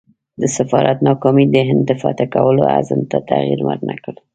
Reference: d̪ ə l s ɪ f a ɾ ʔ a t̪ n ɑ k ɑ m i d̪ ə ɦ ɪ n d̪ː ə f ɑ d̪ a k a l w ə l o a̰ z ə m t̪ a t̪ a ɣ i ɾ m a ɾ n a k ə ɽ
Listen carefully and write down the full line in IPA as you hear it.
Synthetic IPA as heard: d̪ ə s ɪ f ɑ ɾ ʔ a t̪ n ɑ k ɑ m i d̪ ə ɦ ɪ n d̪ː ə f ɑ t̪ a k a w ə l o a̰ z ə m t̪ a t̪ a ɣ i ɾ m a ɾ n a k ə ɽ